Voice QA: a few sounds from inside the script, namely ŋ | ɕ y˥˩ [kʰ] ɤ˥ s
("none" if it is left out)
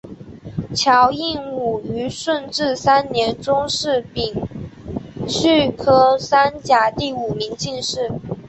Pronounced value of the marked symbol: kʰ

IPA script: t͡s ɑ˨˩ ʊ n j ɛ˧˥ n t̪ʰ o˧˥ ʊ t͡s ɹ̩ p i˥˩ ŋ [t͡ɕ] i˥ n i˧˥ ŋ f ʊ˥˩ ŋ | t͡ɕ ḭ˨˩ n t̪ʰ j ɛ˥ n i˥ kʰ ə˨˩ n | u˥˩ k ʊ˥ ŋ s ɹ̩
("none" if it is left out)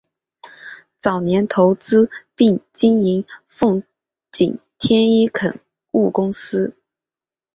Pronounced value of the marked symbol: t͡ɕ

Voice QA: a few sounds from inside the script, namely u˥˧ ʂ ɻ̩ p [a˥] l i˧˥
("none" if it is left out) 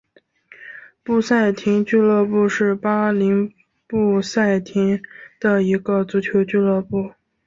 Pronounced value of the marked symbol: a˥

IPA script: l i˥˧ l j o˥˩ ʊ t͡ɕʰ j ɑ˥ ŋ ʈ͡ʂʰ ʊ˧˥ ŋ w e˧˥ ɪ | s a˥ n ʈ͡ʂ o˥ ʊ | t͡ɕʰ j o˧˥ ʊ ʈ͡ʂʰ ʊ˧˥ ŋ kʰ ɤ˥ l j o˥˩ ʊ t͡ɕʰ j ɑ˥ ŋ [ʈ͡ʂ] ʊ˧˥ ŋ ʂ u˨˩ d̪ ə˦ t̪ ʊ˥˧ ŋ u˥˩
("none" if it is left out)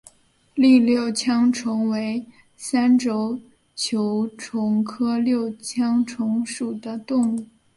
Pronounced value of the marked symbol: ʈ͡ʂʰ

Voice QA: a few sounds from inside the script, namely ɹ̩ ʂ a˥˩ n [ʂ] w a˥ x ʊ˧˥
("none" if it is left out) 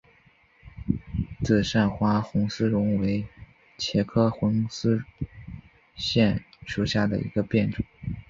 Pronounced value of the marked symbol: x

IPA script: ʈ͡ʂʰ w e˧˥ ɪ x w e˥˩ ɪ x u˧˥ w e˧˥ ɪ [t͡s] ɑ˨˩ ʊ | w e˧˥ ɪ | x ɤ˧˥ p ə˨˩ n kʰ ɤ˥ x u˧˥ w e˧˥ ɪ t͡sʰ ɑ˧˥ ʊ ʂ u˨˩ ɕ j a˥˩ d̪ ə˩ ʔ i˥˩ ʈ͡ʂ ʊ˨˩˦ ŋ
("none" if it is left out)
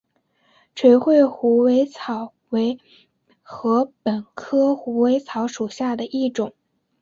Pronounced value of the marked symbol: t͡sʰ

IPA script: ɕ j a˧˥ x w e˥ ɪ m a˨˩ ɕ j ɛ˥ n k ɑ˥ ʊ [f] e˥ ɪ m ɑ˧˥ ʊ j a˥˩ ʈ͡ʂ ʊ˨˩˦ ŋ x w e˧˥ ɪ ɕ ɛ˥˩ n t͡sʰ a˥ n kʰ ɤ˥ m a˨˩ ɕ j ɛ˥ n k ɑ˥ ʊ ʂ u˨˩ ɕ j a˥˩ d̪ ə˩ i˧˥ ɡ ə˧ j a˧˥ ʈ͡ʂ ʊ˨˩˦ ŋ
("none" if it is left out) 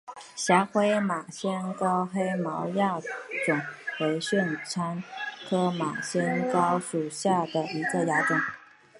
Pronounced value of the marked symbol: x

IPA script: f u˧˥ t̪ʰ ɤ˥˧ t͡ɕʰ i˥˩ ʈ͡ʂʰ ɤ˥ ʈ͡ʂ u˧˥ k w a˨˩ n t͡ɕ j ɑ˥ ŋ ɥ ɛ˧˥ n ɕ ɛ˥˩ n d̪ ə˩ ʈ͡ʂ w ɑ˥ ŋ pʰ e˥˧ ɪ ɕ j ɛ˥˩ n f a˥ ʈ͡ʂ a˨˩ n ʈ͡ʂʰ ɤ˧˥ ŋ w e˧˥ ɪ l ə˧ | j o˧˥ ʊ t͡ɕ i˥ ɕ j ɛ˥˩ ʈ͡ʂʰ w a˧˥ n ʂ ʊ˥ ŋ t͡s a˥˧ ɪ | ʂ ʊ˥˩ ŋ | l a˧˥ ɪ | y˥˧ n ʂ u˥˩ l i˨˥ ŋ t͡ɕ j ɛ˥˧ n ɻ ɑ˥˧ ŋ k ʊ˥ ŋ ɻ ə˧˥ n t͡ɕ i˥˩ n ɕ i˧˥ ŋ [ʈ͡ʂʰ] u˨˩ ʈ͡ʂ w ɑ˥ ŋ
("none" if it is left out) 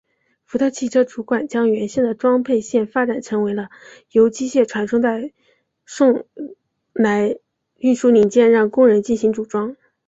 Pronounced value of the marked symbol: ʈ͡ʂ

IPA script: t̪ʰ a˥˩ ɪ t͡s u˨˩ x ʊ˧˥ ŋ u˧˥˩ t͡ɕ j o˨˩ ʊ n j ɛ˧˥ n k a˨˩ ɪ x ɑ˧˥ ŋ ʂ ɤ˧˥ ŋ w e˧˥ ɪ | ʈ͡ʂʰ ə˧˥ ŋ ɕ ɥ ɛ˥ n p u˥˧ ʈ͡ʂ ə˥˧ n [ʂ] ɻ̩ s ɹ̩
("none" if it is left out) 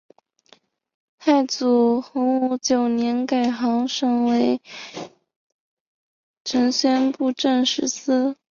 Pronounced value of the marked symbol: ʂ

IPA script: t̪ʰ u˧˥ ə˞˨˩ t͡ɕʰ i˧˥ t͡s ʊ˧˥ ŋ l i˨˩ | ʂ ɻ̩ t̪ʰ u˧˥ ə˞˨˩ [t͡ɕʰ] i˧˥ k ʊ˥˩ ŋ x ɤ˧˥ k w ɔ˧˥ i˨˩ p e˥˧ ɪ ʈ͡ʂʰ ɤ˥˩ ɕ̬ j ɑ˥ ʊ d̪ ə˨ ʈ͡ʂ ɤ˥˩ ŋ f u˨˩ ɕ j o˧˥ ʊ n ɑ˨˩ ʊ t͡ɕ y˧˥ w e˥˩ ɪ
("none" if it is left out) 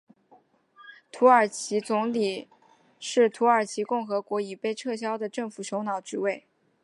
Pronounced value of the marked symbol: t͡ɕʰ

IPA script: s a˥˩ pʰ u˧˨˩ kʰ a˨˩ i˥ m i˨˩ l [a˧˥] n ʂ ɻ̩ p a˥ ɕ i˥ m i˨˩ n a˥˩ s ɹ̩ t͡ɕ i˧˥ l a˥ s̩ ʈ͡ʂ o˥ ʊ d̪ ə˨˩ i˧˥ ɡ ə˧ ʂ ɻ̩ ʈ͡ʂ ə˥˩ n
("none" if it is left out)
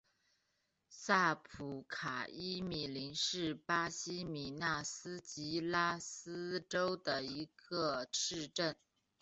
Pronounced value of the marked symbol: i˧˥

